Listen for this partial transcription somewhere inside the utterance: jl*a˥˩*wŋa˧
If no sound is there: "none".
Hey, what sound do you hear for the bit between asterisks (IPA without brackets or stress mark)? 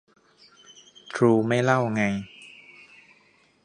a˥˩